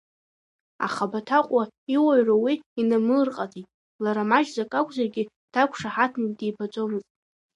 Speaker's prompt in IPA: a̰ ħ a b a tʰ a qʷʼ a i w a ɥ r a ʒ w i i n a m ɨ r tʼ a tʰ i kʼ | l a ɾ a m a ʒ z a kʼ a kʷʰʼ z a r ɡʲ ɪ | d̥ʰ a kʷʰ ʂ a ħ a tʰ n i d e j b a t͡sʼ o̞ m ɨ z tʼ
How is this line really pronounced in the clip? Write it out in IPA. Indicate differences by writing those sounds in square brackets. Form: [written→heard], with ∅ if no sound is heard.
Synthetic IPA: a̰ [ħ→χ] a b a tʰ a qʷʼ a i w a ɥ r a [ʒ→∅] w i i n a m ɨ r [tʼ→qʼ] a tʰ i [kʼ→tʼ] | l a ɾ a m a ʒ z a kʼ a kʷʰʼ z a r ɡʲ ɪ | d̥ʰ a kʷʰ ʂ a ħ a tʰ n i d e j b a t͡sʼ o̞ m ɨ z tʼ